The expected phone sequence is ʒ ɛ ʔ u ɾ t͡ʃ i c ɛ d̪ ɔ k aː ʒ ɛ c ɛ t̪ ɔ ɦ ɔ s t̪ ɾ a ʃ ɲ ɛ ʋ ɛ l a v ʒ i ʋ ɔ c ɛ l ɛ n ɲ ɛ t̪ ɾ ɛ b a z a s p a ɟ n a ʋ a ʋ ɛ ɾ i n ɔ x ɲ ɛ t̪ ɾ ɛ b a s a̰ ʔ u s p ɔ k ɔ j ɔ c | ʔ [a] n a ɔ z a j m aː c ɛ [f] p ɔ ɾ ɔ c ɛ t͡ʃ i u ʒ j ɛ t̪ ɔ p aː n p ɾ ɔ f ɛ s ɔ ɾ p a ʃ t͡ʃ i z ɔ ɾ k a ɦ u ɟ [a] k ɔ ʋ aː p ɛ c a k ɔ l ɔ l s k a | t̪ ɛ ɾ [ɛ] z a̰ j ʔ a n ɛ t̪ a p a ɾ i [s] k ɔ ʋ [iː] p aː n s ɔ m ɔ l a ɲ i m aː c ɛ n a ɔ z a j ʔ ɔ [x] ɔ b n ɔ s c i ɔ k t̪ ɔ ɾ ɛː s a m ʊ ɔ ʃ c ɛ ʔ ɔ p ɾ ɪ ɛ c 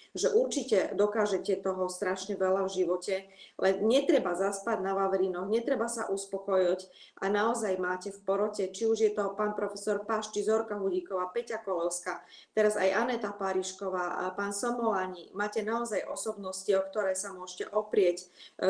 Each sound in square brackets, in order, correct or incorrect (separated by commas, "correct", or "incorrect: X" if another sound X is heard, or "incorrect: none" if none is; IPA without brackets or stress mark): correct, correct, incorrect: i, incorrect: a, incorrect: ʃ, incorrect: aː, incorrect: s